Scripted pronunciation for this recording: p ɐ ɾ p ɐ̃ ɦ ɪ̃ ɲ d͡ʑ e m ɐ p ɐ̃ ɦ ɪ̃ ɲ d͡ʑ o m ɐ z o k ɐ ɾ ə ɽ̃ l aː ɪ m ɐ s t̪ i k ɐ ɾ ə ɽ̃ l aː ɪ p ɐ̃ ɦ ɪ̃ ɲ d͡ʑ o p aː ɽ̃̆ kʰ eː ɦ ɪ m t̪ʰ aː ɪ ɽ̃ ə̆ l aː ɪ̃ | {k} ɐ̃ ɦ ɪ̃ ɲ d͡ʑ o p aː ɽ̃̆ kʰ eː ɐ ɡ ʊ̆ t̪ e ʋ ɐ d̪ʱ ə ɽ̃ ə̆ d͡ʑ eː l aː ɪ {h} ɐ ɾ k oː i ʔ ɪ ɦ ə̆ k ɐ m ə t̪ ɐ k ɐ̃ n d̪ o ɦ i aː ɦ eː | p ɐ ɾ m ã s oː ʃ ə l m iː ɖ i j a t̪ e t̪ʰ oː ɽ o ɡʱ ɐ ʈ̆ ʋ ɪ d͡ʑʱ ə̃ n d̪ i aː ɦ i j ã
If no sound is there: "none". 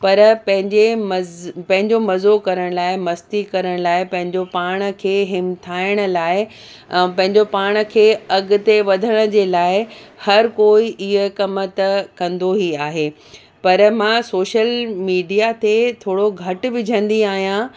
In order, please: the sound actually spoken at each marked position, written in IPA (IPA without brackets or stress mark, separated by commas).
p, h